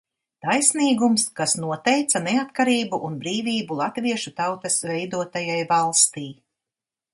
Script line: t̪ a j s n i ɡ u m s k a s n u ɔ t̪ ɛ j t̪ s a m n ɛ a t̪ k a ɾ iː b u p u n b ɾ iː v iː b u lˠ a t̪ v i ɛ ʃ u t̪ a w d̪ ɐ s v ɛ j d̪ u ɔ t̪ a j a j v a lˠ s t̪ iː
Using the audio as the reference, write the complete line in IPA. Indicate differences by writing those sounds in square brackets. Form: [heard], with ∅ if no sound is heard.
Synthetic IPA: t̪ a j s n [iː] ɡ u m s k a s n u ɔ t̪ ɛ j t̪ s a [∅] n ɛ a t̪ k a ɾ iː b u [ʔ] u n b ɾ iː v iː b u lˠ a t̪ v i ɛ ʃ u t̪ a w [t̪] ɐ s v ɛ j d̪ u ɔ t̪ a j a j v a lˠ s t̪ iː

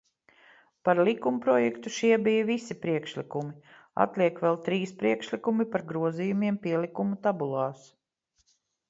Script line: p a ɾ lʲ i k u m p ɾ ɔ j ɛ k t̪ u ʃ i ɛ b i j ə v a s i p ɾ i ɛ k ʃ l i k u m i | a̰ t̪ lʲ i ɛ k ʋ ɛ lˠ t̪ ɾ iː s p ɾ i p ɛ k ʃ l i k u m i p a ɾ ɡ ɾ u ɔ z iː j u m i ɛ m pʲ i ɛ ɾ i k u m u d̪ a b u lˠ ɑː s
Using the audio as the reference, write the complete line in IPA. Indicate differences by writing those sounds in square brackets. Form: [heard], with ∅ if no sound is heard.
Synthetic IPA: p a ɾ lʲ i k u m p ɾ ɔ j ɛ k t̪ u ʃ i ɛ b i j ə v [i] s i p ɾ i ɛ k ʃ l i k u m i | a̰ t̪ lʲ i ɛ k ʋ ɛ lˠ t̪ ɾ iː s p ɾ i [∅] ɛ k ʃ l i k u m i p a ɾ ɡ ɾ u ɔ z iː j u m i ɛ m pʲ i ɛ [l] i k u m u [t̪] a b u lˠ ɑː s

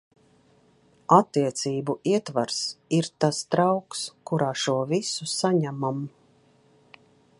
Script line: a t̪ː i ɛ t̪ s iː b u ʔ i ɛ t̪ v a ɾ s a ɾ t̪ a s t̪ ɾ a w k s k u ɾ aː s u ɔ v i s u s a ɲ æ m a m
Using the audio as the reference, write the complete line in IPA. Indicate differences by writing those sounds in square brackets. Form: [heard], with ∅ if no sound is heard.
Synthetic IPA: a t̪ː i ɛ t̪ s iː b u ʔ i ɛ t̪ v a ɾ s [i] ɾ t̪ a s t̪ ɾ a w k s k u ɾ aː [ʃ] u ɔ v i s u s a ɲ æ m a m

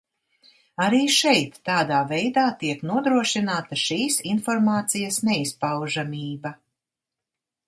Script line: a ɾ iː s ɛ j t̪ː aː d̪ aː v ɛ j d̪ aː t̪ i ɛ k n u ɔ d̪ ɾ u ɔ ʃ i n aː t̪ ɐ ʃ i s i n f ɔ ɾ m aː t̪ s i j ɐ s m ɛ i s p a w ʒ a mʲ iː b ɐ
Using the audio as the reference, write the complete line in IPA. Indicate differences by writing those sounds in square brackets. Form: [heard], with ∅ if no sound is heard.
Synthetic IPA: a ɾ iː [ʃ] ɛ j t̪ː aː d̪ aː v ɛ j d̪ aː t̪ i ɛ k n u ɔ d̪ ɾ u ɔ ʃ i n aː t̪ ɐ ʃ [iː] s i n f ɔ ɾ m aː t̪ s i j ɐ s [n] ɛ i s p a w ʒ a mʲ iː b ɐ

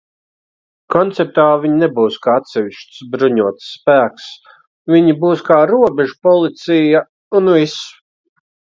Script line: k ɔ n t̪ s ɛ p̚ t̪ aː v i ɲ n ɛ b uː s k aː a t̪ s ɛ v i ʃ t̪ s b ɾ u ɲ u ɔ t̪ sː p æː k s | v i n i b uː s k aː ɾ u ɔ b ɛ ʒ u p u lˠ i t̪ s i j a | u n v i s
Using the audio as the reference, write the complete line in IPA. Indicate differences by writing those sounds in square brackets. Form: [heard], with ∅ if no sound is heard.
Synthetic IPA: k ɔ n t̪ s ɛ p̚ t̪ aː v i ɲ n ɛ b uː s k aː a t̪ s ɛ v i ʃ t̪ s b ɾ u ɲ u ɔ t̪ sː p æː k s | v i [ɲ] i b uː s k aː ɾ u ɔ b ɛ ʒ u p [ɔ] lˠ i t̪ s i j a | u n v i s

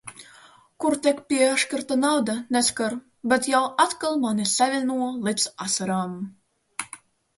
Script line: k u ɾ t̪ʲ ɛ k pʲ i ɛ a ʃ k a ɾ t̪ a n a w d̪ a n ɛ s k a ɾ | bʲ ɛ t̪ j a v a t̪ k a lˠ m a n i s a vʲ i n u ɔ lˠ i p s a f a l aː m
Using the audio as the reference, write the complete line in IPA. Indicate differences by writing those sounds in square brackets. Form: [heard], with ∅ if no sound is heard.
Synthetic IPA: k u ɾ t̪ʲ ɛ k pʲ i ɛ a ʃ k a ɾ t̪ a n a w d̪ a n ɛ s k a ɾ | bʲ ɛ t̪ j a [w] a t̪ k a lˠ m a n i s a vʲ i n u ɔ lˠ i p s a [s] a [ɾ] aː m

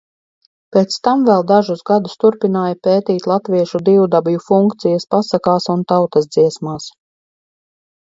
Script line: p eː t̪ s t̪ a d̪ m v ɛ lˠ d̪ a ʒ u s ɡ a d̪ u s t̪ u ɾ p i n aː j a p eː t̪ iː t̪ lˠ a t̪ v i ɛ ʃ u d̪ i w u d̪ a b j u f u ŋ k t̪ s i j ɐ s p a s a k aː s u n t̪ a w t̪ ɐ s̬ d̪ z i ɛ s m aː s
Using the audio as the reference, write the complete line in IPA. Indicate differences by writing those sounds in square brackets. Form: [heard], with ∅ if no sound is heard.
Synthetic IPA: p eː t̪ s t̪ a [∅] m v ɛ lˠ d̪ a ʒ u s ɡ a d̪ u s t̪ u ɾ p i n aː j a p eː t̪ iː t̪ lˠ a t̪ v i ɛ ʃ u d̪ i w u d̪ a b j u f u ŋ k t̪ s i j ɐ s p a s a k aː s u n t̪ a w t̪ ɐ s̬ d̪ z i ɛ s m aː s

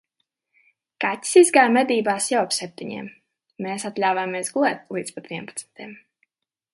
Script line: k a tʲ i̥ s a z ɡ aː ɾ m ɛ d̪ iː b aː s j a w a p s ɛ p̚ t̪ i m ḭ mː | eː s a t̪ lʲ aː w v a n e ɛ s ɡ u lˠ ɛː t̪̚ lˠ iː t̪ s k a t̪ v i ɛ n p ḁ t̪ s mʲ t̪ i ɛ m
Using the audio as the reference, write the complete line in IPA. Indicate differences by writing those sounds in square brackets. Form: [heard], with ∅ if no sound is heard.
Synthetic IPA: k a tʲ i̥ s [i] z ɡ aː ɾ m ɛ d̪ iː b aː s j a w a p s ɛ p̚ t̪ i [ɲ] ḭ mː | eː s a t̪ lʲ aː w v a [m] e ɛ s ɡ u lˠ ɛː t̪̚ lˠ iː t̪ s [p] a t̪ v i ɛ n p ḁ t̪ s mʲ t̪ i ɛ m

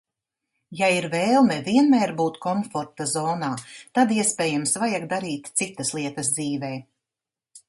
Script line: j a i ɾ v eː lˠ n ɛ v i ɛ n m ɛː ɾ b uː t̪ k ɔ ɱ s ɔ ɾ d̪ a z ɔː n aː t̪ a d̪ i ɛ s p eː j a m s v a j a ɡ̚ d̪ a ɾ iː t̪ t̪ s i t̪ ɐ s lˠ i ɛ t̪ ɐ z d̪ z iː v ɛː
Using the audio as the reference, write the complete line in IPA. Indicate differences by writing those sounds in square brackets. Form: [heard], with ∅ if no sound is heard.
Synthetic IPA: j a i ɾ v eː lˠ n ɛ v i ɛ n m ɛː ɾ b uː t̪ k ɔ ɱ [f] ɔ ɾ [t̪] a z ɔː n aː t̪ a d̪ i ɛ s p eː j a m s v a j a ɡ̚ d̪ a ɾ iː t̪ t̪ s i t̪ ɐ s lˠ i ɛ t̪ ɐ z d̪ z iː v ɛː

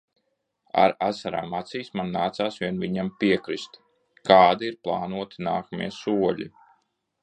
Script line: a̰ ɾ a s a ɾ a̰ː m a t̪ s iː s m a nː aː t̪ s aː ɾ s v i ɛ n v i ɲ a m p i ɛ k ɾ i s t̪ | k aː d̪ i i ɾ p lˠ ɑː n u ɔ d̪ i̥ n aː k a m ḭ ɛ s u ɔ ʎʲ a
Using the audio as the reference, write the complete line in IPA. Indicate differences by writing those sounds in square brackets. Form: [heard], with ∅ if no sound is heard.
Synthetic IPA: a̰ ɾ a s a ɾ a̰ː m a t̪ s iː s m a nː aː t̪ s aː [∅] s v i ɛ n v i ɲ a m p i ɛ k ɾ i s t̪ | k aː d̪ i i ɾ p lˠ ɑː n u ɔ [t̪] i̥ n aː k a m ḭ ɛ s u ɔ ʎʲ [i]

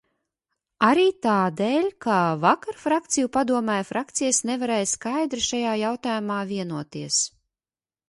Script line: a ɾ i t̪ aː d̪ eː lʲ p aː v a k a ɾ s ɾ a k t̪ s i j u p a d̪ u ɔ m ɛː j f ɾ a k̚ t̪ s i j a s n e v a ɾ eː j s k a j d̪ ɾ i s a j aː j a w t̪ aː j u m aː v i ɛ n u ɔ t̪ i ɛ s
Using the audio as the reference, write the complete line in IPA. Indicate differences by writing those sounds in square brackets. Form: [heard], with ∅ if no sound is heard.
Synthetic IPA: a ɾ [iː] t̪ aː d̪ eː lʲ [k] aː v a k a ɾ [f] ɾ a k t̪ s i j u p a d̪ u ɔ m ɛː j f ɾ a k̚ t̪ s i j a s n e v a ɾ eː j s k a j d̪ ɾ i [ʃ] a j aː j a w t̪ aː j u m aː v i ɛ n u ɔ t̪ i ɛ s

